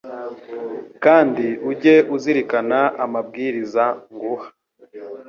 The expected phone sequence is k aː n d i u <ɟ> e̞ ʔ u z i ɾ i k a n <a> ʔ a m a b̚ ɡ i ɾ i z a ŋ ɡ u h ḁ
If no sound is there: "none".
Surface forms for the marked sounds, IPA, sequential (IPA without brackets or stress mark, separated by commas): ɟ, a